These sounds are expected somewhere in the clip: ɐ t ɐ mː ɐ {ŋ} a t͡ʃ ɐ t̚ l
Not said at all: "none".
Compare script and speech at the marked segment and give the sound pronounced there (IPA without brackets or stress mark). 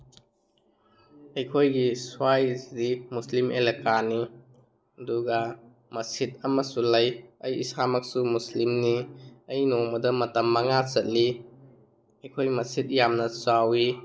ŋ